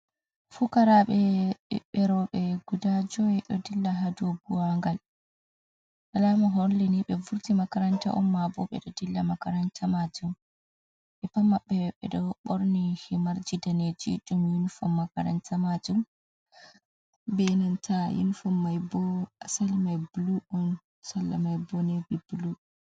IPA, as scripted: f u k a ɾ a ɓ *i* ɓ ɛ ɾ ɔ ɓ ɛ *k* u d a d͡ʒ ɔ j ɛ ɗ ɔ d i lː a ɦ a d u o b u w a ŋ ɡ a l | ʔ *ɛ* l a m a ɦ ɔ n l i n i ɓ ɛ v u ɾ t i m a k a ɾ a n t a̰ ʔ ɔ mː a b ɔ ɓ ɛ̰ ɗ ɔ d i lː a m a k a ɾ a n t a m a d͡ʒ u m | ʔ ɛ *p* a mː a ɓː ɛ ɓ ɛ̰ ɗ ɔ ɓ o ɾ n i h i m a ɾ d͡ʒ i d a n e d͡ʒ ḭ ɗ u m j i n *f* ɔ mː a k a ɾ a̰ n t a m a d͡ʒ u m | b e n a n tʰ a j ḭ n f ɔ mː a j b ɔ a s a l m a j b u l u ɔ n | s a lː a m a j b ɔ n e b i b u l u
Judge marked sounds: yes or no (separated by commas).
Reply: no, no, no, yes, yes